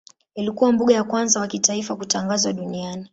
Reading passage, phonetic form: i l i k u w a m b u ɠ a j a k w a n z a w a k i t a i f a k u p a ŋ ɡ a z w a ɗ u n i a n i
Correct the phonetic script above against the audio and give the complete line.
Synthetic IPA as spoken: i l i k u w a m b u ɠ a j a k w a n z a w a k i t a i f a k u t a ŋ ɡ a z w a ɗ u n i a n i